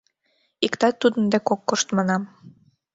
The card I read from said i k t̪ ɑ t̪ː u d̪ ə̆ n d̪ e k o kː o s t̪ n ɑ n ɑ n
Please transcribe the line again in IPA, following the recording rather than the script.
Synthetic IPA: i k t̪ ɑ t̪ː u d̪ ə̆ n d̪ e k o kː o ʃ t̪ m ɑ n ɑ m